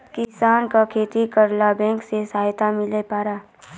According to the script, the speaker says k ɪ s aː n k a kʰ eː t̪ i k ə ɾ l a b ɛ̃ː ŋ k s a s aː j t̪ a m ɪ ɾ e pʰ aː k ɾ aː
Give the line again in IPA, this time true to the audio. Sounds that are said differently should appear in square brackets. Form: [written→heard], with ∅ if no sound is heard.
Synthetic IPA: k ɪ s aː n k a kʰ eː t̪ i k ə ɾ l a b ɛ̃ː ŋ k s [a→e] s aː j t̪ a m ɪ [ɾ→l] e [pʰ→p] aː [k→∅] ɾ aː